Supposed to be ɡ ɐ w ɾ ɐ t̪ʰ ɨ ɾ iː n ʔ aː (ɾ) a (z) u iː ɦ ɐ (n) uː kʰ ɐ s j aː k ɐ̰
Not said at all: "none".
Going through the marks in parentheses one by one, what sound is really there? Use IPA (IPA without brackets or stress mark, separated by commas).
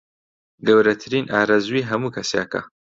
ɾ, z, m